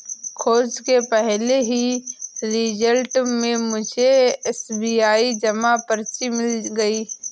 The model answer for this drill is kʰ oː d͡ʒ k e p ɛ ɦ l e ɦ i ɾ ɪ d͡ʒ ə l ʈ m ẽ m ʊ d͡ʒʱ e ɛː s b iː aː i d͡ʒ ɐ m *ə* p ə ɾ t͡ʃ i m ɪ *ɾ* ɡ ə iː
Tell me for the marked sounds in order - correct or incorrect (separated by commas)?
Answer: incorrect, incorrect